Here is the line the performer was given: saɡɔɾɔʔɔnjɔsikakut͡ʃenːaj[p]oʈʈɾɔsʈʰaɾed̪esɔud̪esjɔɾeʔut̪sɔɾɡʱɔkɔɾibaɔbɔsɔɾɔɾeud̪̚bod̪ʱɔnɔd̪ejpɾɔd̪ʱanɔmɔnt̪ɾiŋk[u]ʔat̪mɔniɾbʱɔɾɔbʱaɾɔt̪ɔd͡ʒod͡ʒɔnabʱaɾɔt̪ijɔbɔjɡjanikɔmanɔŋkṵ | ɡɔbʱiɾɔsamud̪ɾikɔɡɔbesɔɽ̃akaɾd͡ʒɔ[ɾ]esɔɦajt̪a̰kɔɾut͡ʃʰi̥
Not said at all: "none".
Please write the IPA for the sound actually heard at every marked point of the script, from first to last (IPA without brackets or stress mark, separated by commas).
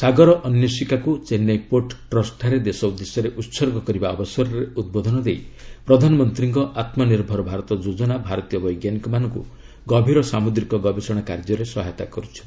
p, ɔ, ɾ